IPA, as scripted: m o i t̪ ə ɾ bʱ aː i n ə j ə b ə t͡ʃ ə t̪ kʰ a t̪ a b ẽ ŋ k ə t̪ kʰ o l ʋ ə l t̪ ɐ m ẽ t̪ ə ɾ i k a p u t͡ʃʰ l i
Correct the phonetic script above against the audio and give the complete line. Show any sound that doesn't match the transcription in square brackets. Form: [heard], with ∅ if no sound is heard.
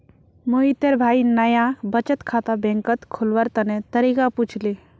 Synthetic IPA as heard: m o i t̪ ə ɾ bʱ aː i n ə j [a] b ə t͡ʃ ə t̪ kʰ a t̪ a b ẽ ŋ k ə t̪ kʰ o l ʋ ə [ɾ] t̪ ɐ [n] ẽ t̪ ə ɾ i k a p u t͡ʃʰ l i